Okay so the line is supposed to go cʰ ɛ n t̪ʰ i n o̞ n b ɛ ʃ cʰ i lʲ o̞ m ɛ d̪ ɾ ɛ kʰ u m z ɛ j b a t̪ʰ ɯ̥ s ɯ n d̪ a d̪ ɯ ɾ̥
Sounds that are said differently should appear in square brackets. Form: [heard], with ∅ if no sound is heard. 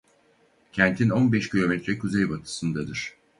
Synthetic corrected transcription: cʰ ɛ n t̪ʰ i n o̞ n b ɛ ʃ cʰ i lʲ o̞ m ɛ [t̪] ɾ ɛ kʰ u [∅] z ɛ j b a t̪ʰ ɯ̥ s ɯ n d̪ a d̪ ɯ ɾ̥